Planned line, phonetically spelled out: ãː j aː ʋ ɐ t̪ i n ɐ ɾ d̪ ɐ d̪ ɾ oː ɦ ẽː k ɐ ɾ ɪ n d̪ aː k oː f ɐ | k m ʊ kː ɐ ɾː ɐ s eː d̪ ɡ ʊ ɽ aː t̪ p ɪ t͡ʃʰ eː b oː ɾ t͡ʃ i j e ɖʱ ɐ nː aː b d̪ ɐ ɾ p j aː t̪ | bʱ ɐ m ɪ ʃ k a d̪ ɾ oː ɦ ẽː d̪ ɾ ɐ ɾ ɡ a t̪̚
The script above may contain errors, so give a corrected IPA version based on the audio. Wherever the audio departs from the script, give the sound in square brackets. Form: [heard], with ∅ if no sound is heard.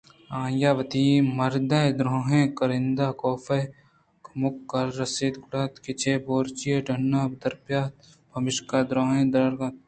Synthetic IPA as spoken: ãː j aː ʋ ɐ t̪ i [m] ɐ ɾ d̪ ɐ d̪ ɾ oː ɦ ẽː k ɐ ɾ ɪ n d̪ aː k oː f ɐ | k m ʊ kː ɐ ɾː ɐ s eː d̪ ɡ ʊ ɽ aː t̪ [k] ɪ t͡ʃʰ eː b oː ɾ t͡ʃ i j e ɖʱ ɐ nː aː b d̪ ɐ ɾ p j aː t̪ | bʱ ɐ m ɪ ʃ k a d̪ ɾ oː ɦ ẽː d̪ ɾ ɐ ɾ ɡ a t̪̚